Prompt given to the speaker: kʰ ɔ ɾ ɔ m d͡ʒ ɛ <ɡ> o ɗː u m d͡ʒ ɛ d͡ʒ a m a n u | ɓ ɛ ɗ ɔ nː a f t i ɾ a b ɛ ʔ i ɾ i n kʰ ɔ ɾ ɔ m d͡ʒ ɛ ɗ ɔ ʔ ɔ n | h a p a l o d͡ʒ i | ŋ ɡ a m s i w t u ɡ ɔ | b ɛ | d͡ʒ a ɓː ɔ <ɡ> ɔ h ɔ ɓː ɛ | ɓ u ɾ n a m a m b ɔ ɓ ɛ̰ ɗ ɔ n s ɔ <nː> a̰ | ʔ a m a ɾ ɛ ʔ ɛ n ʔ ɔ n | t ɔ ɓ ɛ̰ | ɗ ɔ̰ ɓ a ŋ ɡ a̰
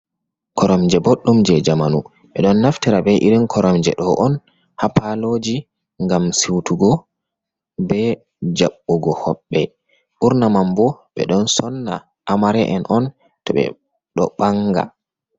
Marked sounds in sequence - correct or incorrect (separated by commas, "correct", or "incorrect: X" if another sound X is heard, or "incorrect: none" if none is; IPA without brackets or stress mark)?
incorrect: b, correct, correct